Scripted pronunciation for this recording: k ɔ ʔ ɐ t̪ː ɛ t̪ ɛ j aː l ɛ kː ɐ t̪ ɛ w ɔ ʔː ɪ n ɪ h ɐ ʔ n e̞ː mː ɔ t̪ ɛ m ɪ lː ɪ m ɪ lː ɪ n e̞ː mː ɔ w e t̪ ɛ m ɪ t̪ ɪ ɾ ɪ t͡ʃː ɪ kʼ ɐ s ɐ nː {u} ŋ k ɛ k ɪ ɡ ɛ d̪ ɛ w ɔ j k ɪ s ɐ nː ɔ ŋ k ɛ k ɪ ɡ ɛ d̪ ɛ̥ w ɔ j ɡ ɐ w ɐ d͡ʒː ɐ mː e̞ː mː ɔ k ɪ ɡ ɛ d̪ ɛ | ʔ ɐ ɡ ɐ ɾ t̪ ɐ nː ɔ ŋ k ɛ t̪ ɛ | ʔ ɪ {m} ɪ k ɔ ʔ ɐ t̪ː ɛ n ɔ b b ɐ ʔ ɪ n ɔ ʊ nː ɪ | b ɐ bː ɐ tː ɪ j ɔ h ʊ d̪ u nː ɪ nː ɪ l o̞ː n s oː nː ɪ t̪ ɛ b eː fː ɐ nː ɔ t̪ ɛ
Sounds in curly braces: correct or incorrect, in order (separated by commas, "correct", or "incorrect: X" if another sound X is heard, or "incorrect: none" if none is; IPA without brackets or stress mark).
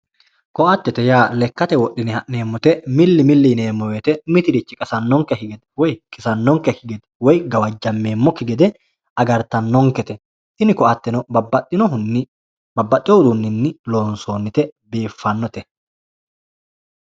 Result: incorrect: ɔ, incorrect: n